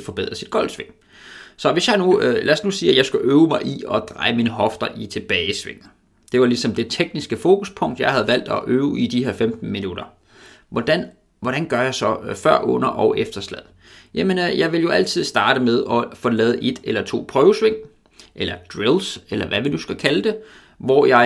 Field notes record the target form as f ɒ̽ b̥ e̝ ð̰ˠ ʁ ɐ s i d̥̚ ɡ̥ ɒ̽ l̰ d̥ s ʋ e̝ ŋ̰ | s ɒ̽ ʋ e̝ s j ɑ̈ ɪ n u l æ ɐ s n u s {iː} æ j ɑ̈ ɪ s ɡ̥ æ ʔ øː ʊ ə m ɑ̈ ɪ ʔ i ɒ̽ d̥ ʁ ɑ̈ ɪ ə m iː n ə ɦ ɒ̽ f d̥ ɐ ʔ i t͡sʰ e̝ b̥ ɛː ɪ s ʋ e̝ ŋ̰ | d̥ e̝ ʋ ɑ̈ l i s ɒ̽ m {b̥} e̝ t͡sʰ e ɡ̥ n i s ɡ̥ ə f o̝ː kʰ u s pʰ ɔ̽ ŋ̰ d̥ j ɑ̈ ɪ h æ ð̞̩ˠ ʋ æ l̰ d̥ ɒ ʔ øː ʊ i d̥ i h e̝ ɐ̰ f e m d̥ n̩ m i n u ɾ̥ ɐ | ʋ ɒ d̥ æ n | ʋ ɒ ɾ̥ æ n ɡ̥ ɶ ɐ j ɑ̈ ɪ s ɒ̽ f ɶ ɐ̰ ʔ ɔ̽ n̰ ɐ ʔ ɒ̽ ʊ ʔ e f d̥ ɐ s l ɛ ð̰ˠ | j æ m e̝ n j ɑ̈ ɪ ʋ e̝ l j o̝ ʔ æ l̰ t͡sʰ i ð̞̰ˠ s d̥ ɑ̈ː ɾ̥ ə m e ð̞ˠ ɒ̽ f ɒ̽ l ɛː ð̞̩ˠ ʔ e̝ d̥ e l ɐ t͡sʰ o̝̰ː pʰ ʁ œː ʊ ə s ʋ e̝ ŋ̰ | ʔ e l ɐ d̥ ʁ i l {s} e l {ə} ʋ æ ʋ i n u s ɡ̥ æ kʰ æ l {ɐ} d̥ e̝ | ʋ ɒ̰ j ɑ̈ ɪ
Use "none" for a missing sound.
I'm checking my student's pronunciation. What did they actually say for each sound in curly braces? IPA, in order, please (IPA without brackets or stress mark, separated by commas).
iː, d̥, s, ɐ, ə